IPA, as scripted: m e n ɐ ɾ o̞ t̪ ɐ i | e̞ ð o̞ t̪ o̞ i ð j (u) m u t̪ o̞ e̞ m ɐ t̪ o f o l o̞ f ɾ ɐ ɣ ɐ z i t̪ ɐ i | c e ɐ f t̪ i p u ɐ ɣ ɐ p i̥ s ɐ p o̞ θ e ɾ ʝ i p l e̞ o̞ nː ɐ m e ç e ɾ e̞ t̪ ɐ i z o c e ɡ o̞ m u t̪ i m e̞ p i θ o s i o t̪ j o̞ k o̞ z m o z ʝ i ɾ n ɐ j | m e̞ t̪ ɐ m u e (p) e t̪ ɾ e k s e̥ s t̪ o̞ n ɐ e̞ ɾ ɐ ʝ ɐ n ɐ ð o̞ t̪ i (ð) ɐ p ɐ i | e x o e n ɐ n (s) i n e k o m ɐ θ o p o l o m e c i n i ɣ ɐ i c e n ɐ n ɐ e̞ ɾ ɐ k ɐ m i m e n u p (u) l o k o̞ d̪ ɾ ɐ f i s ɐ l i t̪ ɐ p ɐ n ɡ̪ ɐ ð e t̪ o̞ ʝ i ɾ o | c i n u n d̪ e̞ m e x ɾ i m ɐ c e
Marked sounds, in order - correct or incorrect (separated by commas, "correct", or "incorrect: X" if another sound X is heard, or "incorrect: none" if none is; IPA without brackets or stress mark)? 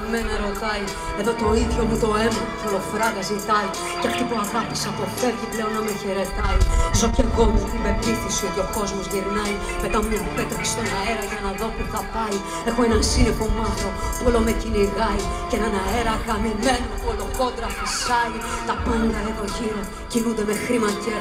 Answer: incorrect: o, correct, incorrect: θ, correct, incorrect: o